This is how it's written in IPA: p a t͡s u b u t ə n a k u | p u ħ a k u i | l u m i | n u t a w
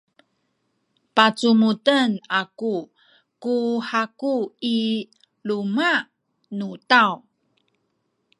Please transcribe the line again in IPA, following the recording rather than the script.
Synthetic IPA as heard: p a t͡s u m u t ə n a k u | k u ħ a k u i | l u m a | n u t a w